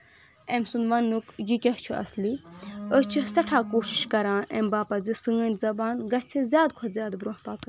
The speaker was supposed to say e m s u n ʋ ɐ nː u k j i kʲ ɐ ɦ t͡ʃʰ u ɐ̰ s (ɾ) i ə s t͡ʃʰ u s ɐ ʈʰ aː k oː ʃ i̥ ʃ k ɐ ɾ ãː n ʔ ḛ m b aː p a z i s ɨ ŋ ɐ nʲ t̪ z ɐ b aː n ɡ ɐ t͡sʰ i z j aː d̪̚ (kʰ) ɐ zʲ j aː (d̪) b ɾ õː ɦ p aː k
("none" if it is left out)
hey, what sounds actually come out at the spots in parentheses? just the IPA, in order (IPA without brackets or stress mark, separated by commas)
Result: l, kʰ, d̪